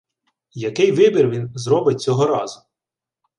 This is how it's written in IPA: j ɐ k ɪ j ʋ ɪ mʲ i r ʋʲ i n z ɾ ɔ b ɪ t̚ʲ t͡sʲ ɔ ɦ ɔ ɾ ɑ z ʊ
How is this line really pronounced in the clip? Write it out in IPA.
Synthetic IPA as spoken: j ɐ k ɪ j ʋ ɪ bʲ i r ʋʲ i n z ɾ ɔ b ɪ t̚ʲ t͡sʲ ɔ ɦ ɔ ɾ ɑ z ʊ